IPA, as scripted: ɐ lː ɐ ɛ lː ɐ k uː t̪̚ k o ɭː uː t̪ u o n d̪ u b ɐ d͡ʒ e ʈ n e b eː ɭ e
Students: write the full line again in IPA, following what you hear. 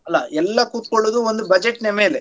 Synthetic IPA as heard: ɐ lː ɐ ɛ lː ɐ k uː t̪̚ k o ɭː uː d̪ u o n d̪ u b ɐ d͡ʒ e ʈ n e m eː l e